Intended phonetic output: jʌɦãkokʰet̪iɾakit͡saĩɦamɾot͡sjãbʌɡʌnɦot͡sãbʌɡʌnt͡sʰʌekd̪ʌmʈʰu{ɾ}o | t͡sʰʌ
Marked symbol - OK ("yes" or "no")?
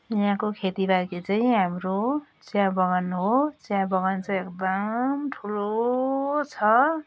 no